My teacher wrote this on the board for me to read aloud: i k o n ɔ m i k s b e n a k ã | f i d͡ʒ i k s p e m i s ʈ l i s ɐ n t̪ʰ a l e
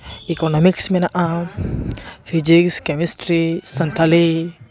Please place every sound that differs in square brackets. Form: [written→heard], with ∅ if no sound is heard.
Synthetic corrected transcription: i k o n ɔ m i k s [b→m] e n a [k→ʔ] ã | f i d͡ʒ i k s [p→k] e m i s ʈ [l→ɾ] i s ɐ n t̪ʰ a l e